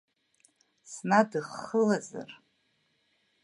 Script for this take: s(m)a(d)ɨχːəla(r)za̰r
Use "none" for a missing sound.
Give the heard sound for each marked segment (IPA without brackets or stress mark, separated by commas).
n, d, none